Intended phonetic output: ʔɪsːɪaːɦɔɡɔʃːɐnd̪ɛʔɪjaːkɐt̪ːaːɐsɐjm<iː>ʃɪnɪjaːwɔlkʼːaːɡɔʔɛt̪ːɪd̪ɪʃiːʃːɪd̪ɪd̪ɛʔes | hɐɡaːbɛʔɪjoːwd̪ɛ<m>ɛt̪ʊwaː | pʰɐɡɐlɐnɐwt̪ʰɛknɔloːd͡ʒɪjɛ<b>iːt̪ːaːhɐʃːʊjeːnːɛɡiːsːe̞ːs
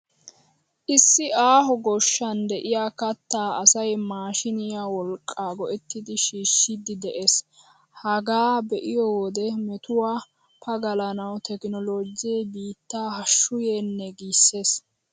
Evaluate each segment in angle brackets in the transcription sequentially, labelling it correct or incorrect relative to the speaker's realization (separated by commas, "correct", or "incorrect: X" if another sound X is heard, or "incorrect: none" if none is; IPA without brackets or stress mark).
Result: incorrect: aː, correct, correct